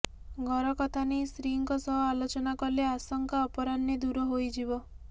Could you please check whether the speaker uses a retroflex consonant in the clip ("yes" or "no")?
no